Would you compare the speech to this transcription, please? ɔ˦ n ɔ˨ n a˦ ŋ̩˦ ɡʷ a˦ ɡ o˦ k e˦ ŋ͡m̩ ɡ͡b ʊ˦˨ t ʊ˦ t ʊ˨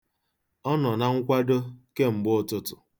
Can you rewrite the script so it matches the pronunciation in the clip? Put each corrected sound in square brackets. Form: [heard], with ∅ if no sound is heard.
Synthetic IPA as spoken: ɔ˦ n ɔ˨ n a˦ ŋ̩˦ [kʷ] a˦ [d] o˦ k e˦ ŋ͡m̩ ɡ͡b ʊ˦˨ t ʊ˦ t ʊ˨